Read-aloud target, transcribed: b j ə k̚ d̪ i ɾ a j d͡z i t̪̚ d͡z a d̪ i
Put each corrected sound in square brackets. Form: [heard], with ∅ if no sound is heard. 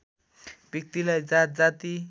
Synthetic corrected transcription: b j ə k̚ [t̪] i [l] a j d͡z [a] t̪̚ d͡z a [t̪] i